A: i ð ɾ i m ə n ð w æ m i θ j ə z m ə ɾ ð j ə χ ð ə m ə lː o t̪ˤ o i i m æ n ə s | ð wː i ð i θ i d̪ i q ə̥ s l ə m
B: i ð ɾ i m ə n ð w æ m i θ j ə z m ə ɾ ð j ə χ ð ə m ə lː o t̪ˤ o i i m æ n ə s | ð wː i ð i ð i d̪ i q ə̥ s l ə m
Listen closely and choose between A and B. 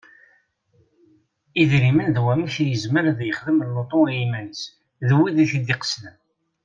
A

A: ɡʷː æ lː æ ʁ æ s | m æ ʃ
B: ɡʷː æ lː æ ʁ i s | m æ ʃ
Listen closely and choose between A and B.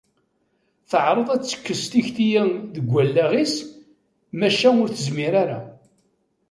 B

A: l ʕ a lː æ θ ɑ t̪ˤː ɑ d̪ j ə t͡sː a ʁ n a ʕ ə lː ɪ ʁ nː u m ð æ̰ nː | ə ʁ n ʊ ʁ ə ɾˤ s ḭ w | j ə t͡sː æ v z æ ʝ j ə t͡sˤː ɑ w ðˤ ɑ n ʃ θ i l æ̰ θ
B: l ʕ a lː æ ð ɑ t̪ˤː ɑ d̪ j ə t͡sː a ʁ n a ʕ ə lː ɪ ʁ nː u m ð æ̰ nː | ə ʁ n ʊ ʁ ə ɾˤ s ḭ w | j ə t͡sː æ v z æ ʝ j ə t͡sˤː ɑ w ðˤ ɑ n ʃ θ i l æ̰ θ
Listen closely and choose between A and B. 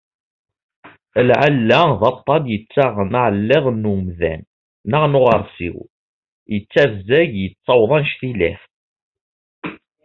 B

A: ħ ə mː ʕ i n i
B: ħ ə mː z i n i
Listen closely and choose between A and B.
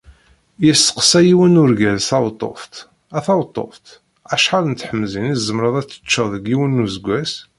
B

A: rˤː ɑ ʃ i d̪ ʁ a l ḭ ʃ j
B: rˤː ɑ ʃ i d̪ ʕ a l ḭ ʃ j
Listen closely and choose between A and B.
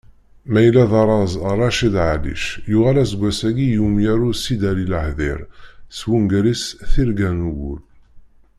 B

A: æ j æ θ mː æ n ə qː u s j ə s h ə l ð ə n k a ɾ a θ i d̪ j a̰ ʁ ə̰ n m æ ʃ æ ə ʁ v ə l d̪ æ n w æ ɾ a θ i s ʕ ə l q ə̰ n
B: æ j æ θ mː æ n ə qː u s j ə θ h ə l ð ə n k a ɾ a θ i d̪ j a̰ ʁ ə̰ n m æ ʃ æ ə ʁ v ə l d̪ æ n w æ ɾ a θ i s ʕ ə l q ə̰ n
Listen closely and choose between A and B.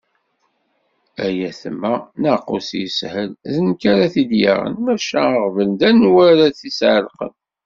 A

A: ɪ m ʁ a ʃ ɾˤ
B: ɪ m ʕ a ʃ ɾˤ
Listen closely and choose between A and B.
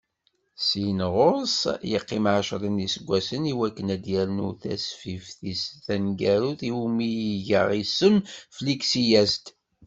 B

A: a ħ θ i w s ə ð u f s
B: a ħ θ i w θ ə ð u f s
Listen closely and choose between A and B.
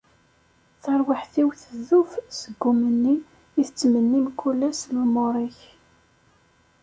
B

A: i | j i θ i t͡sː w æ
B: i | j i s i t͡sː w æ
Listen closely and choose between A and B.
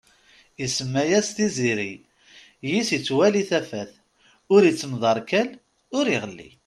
B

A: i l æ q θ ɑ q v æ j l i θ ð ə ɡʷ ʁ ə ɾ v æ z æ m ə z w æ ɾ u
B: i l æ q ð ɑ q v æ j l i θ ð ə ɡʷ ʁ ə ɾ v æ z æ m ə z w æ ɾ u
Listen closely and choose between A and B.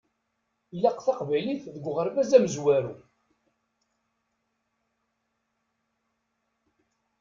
A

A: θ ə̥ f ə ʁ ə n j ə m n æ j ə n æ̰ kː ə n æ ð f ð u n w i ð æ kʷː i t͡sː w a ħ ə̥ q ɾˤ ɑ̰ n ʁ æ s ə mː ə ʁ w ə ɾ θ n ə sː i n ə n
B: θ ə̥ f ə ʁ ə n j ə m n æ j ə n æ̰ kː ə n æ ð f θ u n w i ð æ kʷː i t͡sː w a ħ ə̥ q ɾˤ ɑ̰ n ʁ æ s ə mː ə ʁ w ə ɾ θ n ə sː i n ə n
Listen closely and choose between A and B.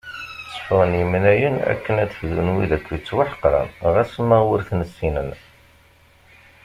A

